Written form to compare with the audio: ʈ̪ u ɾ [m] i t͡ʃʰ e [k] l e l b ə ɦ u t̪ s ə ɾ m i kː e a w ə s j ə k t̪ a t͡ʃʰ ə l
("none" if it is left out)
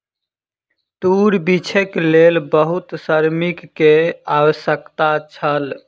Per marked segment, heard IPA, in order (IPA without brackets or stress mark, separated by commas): b, k